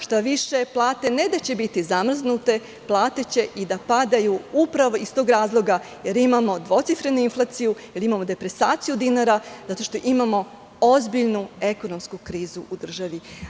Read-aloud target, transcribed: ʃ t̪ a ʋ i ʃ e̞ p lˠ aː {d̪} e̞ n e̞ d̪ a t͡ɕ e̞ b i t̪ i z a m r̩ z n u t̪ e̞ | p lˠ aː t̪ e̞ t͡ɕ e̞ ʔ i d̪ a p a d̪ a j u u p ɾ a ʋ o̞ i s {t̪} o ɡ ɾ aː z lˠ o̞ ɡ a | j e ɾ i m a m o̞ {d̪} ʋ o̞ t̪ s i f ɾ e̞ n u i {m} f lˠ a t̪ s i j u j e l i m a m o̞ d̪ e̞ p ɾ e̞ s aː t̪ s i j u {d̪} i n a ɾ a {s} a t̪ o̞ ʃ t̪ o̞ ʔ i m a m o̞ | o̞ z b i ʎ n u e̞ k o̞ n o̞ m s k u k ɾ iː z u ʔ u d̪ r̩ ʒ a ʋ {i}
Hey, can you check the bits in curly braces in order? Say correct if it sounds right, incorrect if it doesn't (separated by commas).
incorrect, correct, correct, incorrect, correct, incorrect, correct